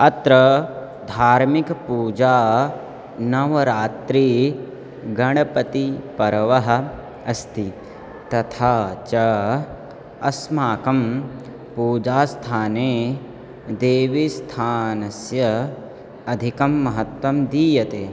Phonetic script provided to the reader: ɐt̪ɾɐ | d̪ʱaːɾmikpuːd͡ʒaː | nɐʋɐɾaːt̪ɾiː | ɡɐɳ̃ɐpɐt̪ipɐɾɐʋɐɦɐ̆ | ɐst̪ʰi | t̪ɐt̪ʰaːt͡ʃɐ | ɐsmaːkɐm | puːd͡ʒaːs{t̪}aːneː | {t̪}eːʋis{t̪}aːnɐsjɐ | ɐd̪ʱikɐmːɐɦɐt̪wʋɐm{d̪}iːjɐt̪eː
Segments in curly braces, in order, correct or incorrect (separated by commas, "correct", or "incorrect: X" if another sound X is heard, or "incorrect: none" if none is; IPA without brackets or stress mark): incorrect: t̪ʰ, incorrect: d̪, incorrect: t̪ʰ, correct